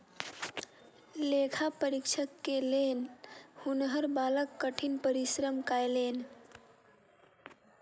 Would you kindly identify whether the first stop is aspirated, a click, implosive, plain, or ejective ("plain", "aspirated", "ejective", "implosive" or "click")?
aspirated